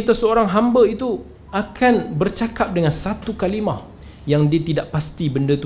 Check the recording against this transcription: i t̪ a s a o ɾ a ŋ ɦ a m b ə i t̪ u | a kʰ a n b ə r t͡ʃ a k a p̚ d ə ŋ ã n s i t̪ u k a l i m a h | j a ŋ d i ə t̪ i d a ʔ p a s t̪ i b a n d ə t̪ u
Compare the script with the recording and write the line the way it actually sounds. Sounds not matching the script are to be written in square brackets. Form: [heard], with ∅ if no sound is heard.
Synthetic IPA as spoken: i t̪ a s [ə] o ɾ a ŋ ɦ a m b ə i t̪ u | a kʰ a n b ə r t͡ʃ a k a p̚ d ə ŋ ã n s [a] t̪ u k a l i m a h | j a ŋ d i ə t̪ i d a ʔ p a s t̪ i b [ə] n d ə t̪ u